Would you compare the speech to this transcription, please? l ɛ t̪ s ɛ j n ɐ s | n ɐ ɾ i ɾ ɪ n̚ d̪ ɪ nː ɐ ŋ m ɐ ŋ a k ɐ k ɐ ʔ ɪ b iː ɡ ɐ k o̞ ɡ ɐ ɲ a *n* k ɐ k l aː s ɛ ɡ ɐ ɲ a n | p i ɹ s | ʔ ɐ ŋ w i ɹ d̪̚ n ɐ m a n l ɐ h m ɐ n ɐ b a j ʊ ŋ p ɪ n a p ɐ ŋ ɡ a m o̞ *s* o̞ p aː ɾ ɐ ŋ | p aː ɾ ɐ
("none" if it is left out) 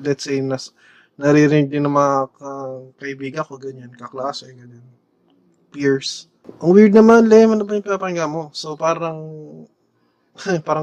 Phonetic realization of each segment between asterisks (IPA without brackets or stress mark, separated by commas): n, s